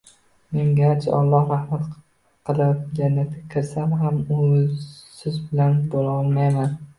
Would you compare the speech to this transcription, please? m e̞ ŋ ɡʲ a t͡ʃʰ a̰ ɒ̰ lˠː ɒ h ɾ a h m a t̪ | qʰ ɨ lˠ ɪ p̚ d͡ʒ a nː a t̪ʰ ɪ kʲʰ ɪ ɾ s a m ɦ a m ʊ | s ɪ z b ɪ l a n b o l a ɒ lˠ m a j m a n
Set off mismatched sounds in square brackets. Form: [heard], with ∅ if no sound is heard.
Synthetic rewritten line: m e̞ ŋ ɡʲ a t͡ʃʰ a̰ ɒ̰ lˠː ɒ h ɾ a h m a t̪ | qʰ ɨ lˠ ɪ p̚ d͡ʒ a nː a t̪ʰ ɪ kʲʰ ɪ ɾ s a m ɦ a m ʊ | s ɪ z b ɪ l a n b o l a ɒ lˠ m a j m a n